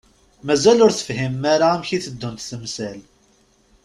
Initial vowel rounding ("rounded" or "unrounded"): unrounded